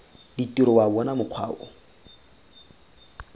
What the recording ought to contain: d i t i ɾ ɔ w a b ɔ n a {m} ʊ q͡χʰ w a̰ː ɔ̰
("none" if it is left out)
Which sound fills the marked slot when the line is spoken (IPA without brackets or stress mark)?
m